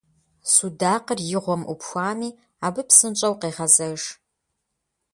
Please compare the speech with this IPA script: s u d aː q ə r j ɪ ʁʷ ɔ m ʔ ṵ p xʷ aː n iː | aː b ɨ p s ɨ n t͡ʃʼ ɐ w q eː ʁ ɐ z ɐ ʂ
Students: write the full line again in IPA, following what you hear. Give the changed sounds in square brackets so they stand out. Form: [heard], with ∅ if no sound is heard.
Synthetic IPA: s u d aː q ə r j ɪ ʁʷ ɔ m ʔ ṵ p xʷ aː n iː | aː b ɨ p s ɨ n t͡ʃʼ ɐ w q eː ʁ ɐ z ɐ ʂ